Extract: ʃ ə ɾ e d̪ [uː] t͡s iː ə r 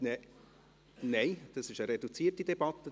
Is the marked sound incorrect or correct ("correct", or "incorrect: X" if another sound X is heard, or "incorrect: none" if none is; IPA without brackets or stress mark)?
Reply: incorrect: u